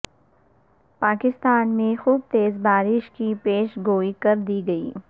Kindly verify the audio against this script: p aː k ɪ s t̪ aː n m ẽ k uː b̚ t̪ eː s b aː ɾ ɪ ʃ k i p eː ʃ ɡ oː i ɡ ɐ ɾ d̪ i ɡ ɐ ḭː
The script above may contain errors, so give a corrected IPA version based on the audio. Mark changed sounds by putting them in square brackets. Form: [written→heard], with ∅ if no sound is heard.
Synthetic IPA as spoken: p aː k ɪ s t̪ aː n m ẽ [k→x] uː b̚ t̪ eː [s→z] b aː ɾ ɪ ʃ k i p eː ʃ ɡ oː i [ɡ→k] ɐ ɾ d̪ i ɡ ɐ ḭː